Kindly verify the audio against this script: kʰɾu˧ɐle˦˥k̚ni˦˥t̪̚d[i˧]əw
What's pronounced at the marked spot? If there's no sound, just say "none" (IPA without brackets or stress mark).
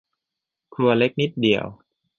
i˨˩